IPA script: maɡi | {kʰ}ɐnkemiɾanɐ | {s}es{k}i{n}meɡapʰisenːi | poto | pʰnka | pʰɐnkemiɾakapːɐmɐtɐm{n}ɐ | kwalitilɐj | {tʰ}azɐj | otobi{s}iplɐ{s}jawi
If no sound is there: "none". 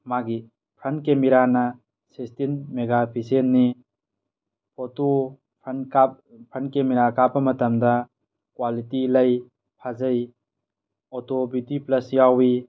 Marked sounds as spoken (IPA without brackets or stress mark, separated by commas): pʰ, s, t, n, d, pʰ, t, s